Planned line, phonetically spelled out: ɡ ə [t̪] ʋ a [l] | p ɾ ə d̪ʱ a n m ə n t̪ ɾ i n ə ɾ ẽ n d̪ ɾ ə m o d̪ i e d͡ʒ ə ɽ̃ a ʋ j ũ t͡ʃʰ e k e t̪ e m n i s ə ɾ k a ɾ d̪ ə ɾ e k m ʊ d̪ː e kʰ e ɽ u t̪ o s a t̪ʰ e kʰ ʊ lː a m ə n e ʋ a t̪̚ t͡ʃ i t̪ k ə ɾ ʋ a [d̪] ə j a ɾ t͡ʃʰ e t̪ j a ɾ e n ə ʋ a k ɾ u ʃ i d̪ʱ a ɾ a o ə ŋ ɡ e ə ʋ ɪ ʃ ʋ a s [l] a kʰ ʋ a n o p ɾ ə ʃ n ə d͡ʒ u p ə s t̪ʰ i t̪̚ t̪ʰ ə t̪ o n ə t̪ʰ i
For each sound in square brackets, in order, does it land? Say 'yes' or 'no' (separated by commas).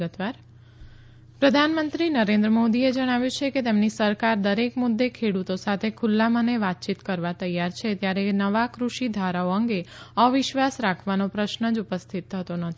yes, no, no, no